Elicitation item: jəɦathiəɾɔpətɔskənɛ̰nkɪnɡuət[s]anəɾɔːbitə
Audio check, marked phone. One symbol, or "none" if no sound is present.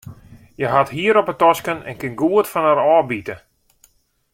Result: f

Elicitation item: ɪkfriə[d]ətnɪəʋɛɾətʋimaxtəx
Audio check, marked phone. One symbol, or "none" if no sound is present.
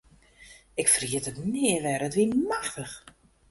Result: t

